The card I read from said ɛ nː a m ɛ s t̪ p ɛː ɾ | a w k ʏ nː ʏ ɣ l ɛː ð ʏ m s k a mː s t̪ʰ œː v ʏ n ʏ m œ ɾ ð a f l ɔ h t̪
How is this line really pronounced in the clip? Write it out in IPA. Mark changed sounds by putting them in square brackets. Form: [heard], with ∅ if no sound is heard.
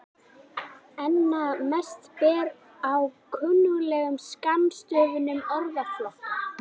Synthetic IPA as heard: ɛ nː a m ɛ s t̪ p ɛː ɾ | a w [kʰ] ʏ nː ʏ ɣ l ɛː [ɣ] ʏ m s k a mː s [t̪] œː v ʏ n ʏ m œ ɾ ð a f l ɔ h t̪